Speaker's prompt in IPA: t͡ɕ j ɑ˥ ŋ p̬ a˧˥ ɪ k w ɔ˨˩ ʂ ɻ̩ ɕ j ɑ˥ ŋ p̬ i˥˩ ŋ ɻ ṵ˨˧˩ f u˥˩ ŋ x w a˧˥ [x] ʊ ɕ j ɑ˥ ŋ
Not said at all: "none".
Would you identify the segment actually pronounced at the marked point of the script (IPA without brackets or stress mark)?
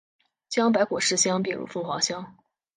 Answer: none